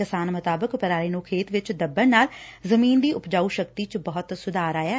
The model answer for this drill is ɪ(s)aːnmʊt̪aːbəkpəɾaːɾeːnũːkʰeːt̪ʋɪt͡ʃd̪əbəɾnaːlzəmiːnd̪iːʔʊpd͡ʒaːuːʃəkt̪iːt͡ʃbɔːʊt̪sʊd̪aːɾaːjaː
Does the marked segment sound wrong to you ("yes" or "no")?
no